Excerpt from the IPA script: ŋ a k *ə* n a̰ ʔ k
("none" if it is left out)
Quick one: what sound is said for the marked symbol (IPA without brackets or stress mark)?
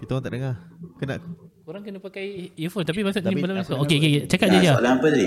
ə